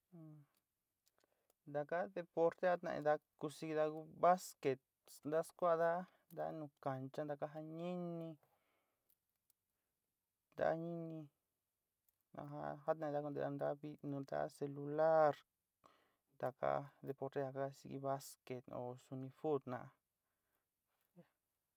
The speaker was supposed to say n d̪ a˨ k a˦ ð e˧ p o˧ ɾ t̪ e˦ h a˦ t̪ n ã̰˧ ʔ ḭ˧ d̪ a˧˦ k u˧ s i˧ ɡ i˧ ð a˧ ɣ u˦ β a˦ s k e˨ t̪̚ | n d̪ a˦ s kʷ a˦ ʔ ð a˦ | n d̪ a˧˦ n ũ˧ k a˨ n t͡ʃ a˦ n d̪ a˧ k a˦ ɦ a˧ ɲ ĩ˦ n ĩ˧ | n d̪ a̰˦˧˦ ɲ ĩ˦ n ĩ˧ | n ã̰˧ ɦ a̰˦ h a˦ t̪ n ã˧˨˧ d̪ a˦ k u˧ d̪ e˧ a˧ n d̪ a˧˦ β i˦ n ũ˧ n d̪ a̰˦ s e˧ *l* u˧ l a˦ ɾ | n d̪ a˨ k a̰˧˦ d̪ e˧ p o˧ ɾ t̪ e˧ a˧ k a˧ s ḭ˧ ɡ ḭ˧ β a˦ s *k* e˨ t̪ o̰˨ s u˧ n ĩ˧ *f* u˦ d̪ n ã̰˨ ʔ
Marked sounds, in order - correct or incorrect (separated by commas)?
correct, correct, correct